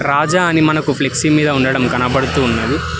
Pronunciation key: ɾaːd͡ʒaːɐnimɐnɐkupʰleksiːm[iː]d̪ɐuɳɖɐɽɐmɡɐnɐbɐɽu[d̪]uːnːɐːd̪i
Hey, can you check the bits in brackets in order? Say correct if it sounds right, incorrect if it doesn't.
correct, incorrect

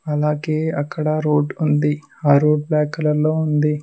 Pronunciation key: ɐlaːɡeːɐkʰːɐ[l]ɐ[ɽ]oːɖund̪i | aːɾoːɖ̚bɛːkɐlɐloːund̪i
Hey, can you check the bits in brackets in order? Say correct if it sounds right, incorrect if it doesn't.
incorrect, incorrect

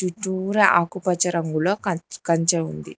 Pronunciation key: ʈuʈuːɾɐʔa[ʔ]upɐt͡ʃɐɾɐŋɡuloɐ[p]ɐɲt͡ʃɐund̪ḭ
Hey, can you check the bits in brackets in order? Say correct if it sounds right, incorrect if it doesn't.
incorrect, incorrect

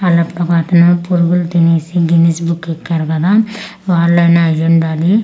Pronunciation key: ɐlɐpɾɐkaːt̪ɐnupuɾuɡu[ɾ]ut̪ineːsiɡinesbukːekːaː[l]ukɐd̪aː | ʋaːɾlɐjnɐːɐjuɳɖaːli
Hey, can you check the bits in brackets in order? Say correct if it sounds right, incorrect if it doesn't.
incorrect, incorrect

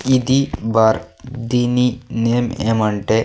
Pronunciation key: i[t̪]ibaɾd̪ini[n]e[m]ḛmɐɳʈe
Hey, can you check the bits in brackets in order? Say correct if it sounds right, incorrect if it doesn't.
incorrect, correct, correct

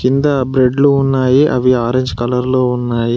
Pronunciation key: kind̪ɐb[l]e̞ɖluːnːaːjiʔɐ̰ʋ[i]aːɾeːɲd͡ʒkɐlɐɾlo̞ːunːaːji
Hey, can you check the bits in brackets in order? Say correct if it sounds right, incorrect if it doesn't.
incorrect, correct

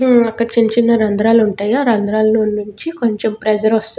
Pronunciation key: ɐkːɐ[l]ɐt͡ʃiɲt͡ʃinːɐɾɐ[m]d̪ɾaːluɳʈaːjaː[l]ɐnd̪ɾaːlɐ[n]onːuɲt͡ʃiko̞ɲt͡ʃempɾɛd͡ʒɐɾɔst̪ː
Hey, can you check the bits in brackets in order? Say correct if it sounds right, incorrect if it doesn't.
incorrect, incorrect, incorrect, correct

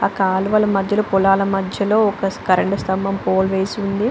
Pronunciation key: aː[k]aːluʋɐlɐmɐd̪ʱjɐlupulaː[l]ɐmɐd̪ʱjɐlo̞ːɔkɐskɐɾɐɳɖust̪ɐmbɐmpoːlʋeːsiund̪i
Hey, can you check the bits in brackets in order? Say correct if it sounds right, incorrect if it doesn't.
correct, correct

